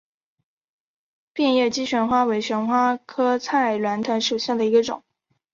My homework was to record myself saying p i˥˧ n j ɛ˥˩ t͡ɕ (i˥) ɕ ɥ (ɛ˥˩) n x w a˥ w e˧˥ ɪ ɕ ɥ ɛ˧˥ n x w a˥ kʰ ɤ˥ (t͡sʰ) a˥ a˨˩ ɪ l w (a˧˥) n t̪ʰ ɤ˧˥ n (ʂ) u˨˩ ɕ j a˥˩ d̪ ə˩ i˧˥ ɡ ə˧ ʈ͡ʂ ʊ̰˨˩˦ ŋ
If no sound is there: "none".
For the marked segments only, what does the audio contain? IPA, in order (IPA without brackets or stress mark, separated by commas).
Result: i˥, ɛ˧˥, t͡sʰ, a˧˥, ʂ